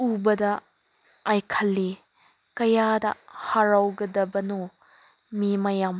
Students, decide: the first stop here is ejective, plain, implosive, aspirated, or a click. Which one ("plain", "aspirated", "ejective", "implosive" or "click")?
plain